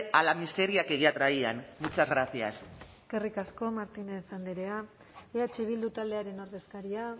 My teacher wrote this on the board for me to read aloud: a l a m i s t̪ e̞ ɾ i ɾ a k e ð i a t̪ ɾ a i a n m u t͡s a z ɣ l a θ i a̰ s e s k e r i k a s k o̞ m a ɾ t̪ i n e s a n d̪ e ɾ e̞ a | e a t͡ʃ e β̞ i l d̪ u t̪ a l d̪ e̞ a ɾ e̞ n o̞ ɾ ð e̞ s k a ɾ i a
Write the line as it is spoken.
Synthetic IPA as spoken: a l a m i s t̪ e̞ ɾ i a k e ɣ i a t̪ ɾ a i a n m u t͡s a z ɣ ɾ a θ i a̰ s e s k e r i k a s k o̞ m a ɾ t̪ i n e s a n d̪ e ɾ e̞ a | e a t͡ʃ e β̞ i l d̪ u t̪ a l d̪ e̞ a ɾ e̞ n o̞ ɾ ð e̞ s k a ɾ i a